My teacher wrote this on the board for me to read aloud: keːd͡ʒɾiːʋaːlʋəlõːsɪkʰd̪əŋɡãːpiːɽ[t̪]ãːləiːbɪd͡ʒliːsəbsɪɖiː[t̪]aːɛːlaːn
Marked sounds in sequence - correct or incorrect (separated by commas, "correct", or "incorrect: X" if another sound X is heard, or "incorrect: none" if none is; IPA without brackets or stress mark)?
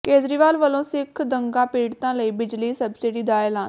correct, incorrect: d̪